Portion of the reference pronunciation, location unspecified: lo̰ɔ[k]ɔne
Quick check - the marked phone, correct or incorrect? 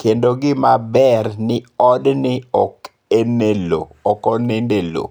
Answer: correct